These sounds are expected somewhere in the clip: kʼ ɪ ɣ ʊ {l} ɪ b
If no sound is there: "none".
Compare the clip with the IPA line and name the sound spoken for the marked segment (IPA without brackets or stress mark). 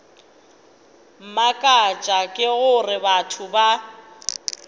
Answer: r